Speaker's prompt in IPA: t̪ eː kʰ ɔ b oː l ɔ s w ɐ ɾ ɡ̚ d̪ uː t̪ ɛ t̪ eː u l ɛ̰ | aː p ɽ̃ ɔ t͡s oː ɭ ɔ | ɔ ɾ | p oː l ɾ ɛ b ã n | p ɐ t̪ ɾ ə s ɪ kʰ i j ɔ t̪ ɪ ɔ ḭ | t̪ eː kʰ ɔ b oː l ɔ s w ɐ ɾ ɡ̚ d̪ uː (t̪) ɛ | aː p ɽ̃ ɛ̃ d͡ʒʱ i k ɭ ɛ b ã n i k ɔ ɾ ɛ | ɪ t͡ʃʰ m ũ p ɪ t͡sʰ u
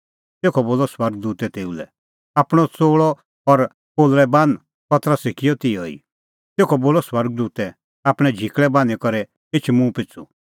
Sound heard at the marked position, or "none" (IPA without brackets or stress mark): t̪